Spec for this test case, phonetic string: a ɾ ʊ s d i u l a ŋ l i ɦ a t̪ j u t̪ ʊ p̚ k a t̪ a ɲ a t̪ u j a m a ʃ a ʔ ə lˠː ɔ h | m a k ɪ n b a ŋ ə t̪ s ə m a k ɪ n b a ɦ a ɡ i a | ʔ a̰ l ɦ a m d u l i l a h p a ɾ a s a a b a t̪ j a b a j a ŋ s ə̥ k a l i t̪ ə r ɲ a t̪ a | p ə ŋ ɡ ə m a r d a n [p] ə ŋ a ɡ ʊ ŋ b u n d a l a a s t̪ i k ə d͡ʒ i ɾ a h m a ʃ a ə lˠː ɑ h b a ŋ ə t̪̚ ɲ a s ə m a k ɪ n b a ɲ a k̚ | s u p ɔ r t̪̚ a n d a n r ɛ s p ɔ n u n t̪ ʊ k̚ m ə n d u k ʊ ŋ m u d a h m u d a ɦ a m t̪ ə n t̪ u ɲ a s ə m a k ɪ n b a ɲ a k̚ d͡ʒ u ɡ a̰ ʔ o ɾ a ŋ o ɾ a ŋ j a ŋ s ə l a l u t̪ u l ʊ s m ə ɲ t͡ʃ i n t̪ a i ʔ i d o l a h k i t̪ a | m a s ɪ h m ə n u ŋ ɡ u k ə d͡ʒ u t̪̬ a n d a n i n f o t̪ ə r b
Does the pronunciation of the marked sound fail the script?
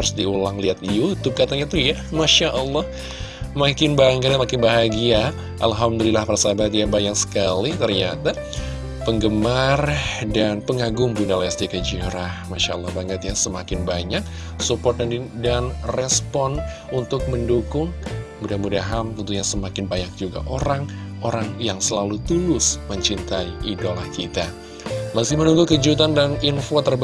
no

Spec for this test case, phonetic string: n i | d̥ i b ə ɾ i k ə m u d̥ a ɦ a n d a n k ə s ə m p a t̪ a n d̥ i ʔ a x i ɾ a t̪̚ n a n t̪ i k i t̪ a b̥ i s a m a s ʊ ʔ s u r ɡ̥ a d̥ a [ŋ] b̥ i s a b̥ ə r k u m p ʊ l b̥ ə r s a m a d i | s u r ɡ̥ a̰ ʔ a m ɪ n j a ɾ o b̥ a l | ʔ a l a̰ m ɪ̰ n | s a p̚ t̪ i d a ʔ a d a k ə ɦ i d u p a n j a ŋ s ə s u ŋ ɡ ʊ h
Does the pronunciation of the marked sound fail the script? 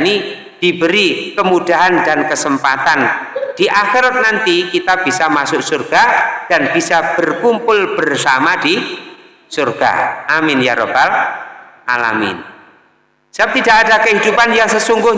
yes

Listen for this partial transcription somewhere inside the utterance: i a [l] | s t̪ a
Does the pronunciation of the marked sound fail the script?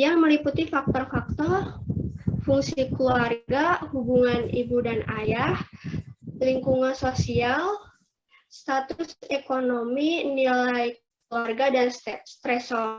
no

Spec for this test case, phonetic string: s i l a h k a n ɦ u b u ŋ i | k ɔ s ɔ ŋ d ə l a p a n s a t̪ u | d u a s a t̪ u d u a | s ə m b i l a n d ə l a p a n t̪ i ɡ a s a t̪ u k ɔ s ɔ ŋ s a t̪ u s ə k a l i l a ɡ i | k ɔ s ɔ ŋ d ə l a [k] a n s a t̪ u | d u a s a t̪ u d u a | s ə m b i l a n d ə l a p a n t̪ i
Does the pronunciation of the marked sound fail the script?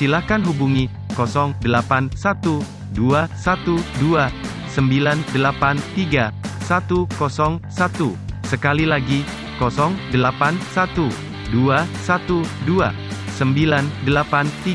yes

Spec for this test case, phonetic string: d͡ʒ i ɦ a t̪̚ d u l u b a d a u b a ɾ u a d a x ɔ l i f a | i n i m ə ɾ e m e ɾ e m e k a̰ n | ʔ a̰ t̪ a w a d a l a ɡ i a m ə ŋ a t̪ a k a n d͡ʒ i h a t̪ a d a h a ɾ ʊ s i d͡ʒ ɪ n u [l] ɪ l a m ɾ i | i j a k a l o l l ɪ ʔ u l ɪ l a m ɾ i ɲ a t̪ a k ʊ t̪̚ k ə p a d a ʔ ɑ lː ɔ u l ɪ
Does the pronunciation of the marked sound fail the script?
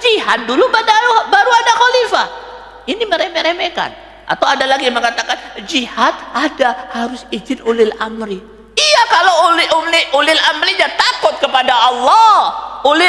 no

